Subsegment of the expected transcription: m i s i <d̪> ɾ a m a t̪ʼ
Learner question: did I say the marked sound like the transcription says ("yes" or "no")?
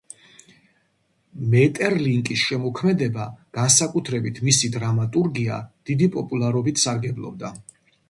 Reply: yes